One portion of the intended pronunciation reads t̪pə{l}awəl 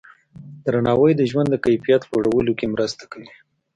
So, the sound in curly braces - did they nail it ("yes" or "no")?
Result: no